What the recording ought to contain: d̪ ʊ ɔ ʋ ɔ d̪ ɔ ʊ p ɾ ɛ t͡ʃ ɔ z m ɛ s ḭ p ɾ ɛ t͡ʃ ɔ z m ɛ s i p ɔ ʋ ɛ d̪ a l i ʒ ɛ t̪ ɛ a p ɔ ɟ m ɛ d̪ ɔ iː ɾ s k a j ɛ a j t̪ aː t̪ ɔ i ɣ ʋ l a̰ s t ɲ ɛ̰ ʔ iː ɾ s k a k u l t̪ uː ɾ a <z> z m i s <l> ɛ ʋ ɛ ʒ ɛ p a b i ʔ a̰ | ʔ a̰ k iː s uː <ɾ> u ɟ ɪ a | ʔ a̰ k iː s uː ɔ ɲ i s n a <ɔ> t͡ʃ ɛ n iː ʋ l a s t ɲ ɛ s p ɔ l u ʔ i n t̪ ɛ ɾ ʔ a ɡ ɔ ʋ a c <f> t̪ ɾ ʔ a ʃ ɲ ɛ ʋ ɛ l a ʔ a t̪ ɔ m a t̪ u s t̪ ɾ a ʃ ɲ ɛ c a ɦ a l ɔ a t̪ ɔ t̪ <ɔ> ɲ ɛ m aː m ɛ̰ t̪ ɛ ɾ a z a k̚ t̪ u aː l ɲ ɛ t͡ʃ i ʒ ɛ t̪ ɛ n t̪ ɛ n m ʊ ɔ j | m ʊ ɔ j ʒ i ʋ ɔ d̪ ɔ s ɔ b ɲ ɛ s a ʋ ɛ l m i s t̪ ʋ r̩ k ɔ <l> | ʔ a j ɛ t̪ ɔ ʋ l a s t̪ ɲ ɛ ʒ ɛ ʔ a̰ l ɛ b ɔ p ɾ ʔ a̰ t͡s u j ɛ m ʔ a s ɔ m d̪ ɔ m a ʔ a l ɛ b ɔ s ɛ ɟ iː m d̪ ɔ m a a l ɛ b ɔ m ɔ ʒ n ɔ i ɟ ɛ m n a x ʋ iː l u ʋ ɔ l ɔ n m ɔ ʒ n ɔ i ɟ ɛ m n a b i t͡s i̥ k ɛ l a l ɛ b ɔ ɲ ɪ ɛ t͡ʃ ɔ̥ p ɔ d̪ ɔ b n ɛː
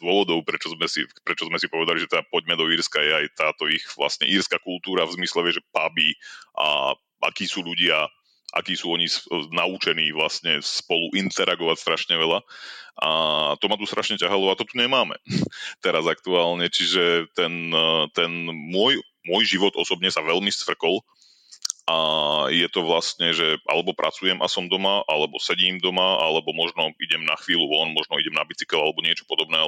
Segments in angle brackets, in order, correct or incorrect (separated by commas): incorrect, correct, incorrect, incorrect, incorrect, incorrect, correct